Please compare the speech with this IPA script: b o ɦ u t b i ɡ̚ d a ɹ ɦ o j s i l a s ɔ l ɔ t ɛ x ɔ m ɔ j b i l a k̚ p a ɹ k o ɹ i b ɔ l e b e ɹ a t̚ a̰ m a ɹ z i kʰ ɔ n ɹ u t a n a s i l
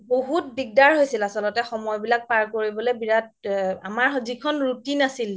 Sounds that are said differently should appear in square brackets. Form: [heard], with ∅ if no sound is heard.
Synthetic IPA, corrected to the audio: b o ɦ u t b i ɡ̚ d a ɹ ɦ o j s i l a s ɔ l ɔ t ɛ x ɔ m ɔ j b i l a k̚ p a ɹ k o ɹ i b ɔ l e b [i] ɹ a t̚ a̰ m a ɹ z i kʰ ɔ n ɹ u t [i] n a s i l

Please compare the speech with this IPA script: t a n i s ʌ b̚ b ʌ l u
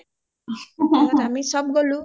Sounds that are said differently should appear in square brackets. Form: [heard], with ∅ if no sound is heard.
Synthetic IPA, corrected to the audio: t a [m] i s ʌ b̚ [ɡ] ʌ l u

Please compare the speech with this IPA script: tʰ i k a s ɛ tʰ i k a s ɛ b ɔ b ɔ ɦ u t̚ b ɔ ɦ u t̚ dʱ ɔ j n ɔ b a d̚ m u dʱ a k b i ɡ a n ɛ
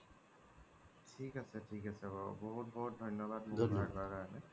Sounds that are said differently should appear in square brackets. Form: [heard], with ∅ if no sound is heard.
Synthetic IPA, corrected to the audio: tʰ i k a s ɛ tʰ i k a s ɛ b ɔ b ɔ ɦ u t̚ b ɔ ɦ u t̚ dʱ ɔ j n ɔ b a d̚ m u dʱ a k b [a] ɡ a n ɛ

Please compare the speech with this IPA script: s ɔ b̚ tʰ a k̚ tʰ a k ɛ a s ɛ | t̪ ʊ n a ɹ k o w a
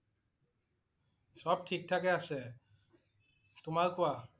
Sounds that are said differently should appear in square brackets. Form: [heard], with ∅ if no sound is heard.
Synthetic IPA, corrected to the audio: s ɔ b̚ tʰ [i] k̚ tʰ a k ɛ a s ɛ | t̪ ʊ [m] a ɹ k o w a

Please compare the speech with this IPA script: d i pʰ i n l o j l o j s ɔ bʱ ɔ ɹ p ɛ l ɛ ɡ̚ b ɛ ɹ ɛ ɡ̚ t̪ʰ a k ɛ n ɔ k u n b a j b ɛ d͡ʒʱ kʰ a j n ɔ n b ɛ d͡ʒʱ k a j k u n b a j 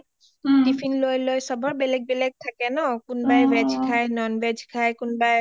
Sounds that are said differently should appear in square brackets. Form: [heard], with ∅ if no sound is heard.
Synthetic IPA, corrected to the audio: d i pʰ i n l o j l o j s ɔ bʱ ɔ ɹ [b] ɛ l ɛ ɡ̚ b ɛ [l] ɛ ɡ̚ t̪ʰ a k ɛ n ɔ k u n b a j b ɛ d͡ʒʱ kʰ a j n ɔ n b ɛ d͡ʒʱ [kʰ] a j k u n b a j

